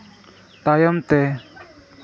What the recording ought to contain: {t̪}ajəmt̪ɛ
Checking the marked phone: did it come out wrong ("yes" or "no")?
no